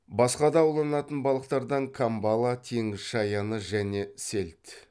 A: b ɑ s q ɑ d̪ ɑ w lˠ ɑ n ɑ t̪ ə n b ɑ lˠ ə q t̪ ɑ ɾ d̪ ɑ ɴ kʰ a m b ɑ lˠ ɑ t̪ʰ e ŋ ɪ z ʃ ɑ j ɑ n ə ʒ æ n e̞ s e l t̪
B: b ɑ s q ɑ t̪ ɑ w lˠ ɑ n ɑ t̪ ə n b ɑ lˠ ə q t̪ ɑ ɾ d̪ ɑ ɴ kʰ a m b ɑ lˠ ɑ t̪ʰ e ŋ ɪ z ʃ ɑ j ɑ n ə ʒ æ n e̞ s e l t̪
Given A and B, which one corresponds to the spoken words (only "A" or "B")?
A